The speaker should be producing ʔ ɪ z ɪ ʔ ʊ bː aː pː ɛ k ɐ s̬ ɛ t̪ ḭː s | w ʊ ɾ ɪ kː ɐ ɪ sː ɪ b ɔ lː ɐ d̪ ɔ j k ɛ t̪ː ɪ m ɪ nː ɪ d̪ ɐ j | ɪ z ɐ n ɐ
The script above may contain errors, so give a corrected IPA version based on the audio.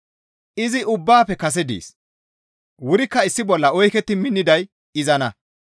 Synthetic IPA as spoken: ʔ ɪ z ɪ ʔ ʊ bː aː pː ɛ k ɐ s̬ ɛ d̪ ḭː s | w ʊ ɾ ɪ kː ɐ ɪ sː ɪ b ɔ lː ɐ ɔ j k ɛ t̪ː ɪ m ɪ nː ɪ d̪ ɐ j | ɪ z ɐ n ɐ

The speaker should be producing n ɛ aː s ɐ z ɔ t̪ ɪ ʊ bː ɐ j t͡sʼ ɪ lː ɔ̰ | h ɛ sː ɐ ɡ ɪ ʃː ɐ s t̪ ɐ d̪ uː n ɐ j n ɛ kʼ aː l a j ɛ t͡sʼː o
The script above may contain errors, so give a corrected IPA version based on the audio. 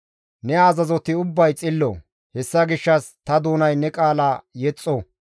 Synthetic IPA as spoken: n ɛ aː z ɐ z ɔ t̪ ɪ ʊ bː ɐ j t͡sʼ ɪ lː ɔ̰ | h ɛ sː ɐ ɡ ɪ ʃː ɐ s t̪ ɐ d̪ uː n ɐ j n ɛ kʼ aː l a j ɛ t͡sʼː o

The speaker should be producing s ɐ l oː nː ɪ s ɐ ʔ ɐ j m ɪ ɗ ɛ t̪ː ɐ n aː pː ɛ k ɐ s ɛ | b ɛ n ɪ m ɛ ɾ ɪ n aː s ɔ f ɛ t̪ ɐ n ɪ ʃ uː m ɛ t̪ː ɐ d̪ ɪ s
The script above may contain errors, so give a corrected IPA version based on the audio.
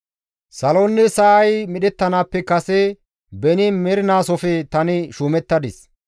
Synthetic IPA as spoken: s ɐ l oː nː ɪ s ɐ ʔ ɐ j m ɪ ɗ ɛ t̪ː ɐ n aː pː ɛ k ɐ s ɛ | b ɛ n ɪ m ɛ ɾ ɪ n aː s ɔ f ɛ t̪ ɐ n ɪ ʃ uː m ɛ t̪ː ɐ d̪ ɪ s

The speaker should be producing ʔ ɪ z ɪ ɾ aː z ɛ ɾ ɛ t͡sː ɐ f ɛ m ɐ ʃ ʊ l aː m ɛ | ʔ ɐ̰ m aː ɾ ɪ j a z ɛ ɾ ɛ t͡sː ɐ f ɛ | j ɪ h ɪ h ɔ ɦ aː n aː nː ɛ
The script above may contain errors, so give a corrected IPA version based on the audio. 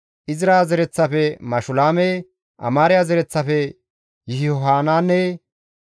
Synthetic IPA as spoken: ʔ ɪ z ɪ ɾ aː z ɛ ɾ ɛ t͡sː ɐ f ɛ m ɐ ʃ ʊ l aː m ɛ | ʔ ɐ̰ m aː ɾ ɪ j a z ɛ ɾ ɛ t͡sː ɐ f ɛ | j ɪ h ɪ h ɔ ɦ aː n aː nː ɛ

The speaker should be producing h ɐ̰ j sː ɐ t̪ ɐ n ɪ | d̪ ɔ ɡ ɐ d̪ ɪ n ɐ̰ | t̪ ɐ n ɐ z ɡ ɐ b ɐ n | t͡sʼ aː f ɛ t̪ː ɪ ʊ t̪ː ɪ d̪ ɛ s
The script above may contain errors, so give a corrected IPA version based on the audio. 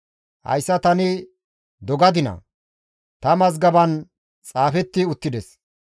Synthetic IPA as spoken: h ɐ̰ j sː ɐ t̪ ɐ n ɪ | d̪ ɔ ɡ ɐ d̪ ɪ n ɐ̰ | t̪ ɐ m ɐ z ɡ ɐ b ɐ n | t͡sʼ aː f ɛ t̪ː ɪ ʊ t̪ː ɪ d̪ ɛ s

